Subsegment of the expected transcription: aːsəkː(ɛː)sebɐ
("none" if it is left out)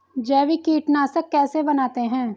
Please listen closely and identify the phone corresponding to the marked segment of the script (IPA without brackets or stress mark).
ɛː